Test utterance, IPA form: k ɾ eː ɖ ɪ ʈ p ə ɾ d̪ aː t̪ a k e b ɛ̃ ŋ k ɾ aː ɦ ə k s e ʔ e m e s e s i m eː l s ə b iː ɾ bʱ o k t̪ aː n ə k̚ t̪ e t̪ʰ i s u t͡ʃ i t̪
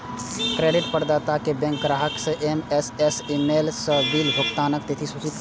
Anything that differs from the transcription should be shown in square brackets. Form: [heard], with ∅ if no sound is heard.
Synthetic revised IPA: k ɾ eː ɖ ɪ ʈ p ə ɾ d̪ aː t̪ a k e b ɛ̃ ŋ k ɾ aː ɦ ə k s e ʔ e m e s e s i m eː l s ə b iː [l] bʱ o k t̪ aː n ə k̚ t̪ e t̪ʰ i s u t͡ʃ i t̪

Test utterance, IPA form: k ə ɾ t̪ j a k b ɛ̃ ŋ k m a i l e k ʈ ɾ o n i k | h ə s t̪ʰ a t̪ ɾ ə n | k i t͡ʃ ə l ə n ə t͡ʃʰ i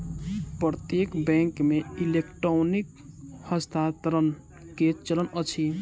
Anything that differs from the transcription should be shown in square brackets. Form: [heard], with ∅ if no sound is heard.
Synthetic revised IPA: [p] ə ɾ t̪ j [e] k b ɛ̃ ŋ k m [e] i l e k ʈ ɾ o n i k | h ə s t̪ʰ a t̪ ɾ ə n | k [e] t͡ʃ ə l ə n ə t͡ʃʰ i

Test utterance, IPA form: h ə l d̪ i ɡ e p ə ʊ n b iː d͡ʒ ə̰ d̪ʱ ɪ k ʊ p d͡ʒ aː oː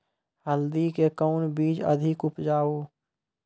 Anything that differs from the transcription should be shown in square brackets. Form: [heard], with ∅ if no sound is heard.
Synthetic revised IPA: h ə l d̪ i [k] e [k] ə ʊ n b iː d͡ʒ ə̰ d̪ʱ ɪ k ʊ p d͡ʒ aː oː

